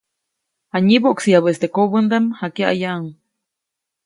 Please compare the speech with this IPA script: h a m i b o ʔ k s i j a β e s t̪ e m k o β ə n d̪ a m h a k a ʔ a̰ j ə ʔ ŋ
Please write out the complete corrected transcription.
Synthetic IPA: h a ɲ i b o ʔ k s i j a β e s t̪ e k o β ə n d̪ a m h a k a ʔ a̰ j a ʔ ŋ